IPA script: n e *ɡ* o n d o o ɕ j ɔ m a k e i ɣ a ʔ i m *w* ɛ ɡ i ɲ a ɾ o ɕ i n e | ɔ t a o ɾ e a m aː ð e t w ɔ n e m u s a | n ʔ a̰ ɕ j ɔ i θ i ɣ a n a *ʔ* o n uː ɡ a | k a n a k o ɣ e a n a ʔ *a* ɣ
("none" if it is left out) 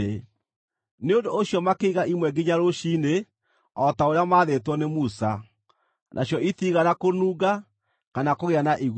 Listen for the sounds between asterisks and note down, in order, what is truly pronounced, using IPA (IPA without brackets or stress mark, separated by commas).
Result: none, w, k, i